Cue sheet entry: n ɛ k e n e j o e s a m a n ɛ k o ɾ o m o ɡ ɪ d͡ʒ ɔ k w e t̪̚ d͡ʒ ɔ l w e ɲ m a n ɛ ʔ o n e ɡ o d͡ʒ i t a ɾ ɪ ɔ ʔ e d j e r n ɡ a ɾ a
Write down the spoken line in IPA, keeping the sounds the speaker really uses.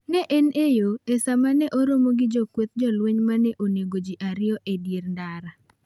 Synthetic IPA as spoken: n ɛ ʔ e n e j o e s a m a n ɛ ʔ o ɾ o m o ɡ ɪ d͡ʒ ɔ k w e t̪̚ d͡ʒ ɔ l w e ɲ m a n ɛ ʔ o n e ɡ o d͡ʒ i ʔ a ɾ ɪ ɔ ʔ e d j e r n d a ɾ a